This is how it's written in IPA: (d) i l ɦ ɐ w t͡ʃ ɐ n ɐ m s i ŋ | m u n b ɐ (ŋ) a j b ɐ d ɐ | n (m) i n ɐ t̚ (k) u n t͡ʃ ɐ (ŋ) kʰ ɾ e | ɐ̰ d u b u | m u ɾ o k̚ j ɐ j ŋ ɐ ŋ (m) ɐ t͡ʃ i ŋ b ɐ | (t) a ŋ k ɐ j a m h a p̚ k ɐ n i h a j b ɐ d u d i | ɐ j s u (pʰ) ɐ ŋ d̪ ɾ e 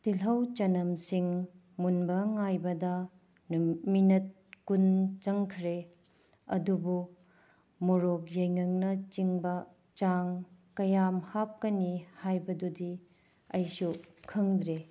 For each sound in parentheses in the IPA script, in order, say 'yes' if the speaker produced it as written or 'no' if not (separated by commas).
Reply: no, yes, yes, yes, yes, no, no, no